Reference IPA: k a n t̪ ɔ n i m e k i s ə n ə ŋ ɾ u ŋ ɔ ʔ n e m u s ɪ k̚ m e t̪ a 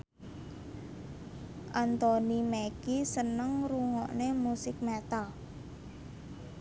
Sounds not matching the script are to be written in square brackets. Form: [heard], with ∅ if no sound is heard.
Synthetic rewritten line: [ʔ] a n t̪ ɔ n i m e k i s ə n ə ŋ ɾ u ŋ ɔ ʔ n e m u s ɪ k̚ m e t̪ a